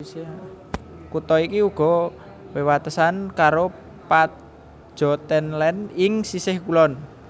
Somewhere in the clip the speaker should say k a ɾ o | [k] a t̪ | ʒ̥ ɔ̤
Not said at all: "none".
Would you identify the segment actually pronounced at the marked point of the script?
p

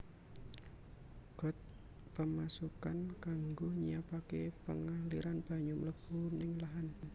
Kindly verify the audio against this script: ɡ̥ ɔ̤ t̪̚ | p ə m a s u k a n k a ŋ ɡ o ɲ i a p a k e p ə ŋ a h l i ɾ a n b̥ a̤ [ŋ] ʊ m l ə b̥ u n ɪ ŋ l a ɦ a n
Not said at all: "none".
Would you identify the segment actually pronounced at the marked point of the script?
ɲ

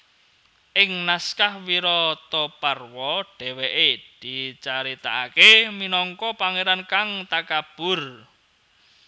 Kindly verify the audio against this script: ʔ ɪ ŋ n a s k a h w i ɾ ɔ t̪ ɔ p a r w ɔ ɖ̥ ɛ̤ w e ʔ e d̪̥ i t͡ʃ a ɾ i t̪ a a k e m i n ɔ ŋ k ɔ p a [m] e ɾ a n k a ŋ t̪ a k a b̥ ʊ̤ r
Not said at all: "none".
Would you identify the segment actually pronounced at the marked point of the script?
ŋ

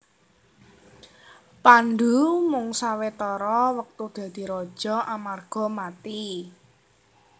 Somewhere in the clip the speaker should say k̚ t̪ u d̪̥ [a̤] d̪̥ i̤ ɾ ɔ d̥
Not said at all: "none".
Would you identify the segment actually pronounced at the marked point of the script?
a̤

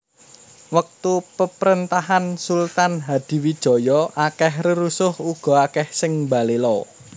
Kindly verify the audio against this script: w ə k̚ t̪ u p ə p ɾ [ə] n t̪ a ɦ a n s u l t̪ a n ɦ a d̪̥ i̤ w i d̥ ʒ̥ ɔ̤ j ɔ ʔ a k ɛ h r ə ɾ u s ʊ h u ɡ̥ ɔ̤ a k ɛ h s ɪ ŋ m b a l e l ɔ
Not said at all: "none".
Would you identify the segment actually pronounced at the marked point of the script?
ə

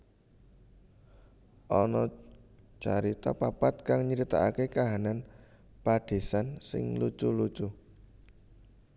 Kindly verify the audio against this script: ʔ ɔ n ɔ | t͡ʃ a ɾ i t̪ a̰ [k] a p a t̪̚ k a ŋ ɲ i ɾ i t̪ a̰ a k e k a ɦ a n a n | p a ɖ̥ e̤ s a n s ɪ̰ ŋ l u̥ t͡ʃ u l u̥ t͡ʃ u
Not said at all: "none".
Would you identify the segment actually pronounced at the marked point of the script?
p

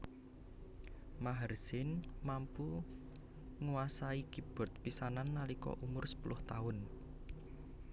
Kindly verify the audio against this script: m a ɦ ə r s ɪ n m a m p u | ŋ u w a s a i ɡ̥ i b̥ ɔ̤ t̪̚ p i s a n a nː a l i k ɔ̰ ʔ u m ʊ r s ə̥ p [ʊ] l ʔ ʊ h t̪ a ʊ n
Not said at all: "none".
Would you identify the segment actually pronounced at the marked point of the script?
u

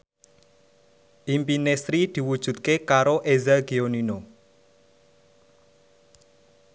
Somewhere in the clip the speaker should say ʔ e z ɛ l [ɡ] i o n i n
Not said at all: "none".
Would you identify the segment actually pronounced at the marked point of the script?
ɡ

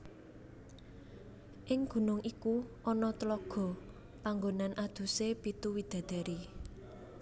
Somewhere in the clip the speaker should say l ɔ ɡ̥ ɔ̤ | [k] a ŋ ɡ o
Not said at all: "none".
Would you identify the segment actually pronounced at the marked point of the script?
p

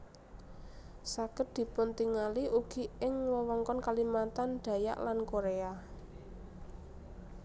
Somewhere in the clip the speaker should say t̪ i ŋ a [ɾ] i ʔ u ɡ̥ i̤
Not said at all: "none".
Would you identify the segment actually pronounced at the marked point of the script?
l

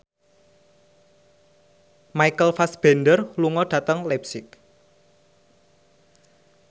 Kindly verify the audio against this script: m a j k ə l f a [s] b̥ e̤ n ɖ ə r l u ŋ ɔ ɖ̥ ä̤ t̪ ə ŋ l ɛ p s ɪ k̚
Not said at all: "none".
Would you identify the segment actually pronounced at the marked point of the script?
s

